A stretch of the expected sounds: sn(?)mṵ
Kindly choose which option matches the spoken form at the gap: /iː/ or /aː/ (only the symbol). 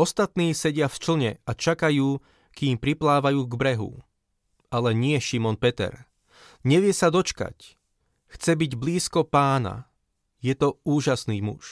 iː